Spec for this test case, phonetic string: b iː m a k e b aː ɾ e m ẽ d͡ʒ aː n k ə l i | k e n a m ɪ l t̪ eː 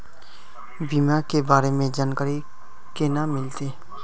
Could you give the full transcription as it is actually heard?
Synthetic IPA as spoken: b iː m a k e b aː ɾ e m ẽ d͡ʒ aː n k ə ɾ i | k e n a m ɪ l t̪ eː